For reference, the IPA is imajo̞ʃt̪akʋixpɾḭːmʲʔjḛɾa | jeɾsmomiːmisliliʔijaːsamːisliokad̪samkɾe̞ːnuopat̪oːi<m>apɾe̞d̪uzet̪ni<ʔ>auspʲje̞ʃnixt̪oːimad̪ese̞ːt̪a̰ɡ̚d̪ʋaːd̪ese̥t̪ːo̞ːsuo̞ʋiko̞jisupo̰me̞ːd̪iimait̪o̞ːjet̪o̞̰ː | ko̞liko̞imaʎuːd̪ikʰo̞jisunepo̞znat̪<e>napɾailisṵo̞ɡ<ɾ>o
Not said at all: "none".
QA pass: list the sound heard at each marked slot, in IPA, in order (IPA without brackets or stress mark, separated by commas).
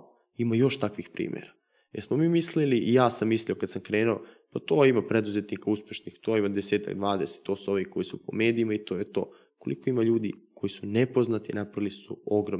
m, k, i, ɾ